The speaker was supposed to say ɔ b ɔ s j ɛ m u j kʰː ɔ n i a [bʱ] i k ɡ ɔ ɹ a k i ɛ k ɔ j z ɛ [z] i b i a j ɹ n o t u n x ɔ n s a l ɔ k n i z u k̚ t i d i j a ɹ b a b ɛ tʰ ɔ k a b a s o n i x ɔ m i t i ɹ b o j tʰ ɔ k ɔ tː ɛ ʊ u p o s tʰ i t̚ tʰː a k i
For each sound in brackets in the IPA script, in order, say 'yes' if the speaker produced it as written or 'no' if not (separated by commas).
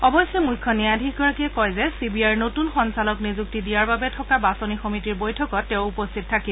no, no